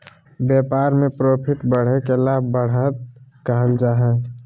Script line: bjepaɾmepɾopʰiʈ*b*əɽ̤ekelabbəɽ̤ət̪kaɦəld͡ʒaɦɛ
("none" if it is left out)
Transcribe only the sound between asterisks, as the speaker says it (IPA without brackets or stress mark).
b